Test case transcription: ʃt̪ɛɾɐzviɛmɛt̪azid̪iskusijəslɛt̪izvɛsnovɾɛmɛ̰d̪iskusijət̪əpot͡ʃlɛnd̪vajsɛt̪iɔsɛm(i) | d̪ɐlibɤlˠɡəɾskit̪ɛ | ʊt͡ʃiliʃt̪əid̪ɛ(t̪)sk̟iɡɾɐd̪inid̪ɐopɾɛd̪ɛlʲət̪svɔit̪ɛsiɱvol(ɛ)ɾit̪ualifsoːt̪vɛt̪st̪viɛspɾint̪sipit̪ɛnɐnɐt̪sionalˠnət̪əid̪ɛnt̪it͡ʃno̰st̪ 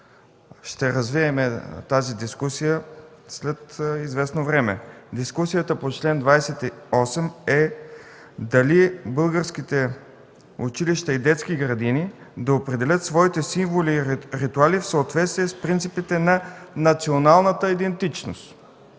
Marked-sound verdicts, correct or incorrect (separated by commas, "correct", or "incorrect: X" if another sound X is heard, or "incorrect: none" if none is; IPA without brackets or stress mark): incorrect: ɛ, correct, incorrect: i